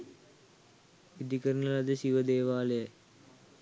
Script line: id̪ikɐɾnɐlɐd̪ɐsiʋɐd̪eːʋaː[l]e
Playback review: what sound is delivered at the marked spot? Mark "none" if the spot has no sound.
l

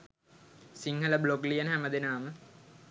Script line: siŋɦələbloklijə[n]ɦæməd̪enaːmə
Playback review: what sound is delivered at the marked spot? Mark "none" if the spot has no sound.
n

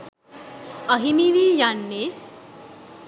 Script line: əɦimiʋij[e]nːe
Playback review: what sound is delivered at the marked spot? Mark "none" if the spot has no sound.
a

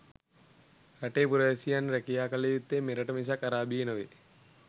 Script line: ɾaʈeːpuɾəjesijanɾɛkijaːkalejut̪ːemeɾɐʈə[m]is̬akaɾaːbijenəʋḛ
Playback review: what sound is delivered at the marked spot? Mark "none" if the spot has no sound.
m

